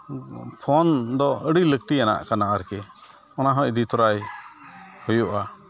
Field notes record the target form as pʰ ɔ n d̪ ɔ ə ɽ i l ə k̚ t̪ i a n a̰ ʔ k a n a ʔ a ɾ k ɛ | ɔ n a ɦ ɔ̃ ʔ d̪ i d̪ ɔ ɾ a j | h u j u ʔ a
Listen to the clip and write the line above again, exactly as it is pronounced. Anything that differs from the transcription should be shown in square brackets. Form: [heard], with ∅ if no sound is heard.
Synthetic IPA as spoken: pʰ ɔ n d̪ ɔ ə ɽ i l ə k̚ t̪ i a n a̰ ʔ k a n a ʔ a ɾ k ɛ | ɔ n a ɦ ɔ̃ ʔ d̪ i [t̪] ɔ ɾ a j | h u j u ʔ a